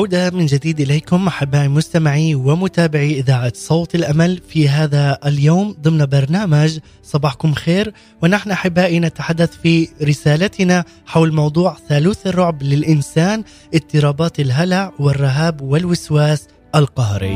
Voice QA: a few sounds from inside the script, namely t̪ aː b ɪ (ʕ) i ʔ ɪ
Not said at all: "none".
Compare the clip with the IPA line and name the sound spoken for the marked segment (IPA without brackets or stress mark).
ʕ